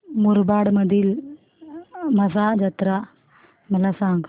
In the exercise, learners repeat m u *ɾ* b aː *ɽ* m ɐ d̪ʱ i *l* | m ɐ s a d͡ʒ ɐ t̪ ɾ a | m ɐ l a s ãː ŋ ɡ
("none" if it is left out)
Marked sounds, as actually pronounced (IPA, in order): ɾ, ɽ, l

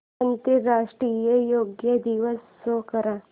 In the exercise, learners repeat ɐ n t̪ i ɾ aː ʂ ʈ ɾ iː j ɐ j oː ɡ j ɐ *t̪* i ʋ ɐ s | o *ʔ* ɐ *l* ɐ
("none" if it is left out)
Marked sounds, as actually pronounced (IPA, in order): d̪, k, ɾ

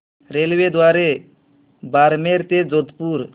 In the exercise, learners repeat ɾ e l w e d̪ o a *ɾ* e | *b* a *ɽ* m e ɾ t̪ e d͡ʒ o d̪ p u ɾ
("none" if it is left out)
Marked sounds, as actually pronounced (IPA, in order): ɾ, b, ɾ

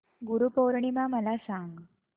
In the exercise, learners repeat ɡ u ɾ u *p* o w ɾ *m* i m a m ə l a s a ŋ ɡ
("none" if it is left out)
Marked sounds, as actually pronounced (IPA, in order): p, ɳ

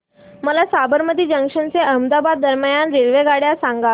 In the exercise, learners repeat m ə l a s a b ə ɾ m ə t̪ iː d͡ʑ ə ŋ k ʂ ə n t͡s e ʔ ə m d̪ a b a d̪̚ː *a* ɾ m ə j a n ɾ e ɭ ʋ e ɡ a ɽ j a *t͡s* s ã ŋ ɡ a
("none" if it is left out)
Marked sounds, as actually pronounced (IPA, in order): ə, none

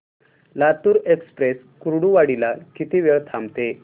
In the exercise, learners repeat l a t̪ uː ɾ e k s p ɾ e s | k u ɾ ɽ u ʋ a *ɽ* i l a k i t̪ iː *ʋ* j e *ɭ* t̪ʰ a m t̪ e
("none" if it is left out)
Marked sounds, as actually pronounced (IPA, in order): ɽ, ʋ, ɭ

